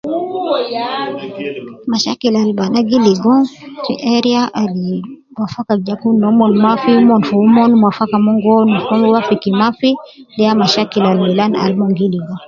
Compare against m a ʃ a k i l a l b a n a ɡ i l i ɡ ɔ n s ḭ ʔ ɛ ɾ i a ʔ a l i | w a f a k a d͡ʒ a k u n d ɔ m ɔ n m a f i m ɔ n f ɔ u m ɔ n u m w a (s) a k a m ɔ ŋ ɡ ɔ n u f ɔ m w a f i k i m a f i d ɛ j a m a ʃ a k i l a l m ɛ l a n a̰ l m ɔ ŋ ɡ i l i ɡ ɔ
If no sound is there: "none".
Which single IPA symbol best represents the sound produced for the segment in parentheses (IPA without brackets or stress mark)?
f